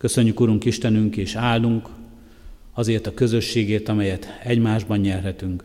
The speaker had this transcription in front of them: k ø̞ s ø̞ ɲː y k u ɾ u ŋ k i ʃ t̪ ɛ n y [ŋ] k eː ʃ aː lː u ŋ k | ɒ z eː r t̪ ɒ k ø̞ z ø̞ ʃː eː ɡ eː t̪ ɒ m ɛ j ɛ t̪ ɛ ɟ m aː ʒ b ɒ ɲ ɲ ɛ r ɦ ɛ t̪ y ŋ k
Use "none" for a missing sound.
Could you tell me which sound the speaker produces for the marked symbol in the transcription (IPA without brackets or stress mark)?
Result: ŋ